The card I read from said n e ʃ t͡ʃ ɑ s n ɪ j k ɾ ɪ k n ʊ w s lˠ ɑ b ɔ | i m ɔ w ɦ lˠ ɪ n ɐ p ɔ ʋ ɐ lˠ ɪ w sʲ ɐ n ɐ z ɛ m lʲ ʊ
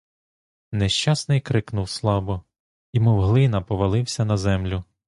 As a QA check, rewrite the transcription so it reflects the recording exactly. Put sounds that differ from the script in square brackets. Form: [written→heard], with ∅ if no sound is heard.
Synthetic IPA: n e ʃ t͡ʃ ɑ s n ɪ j k ɾ ɪ k n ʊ w s lˠ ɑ b ɔ | i m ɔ w ɦ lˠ ɪ n ɐ p ɔ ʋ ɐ lˠ ɪ w sʲ ɐ n ɐ z ɛ m lʲ ʊ